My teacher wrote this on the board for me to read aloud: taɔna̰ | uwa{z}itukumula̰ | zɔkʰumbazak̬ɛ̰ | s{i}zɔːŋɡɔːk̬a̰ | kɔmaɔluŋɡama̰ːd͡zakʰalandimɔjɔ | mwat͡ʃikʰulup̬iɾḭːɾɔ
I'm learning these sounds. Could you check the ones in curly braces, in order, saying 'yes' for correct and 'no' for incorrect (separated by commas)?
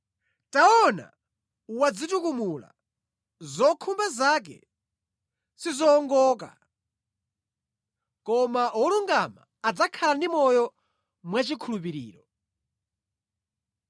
no, yes